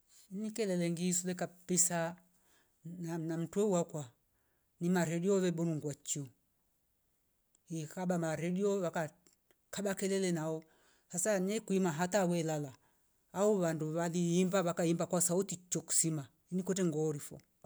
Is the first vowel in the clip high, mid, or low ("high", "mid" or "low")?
high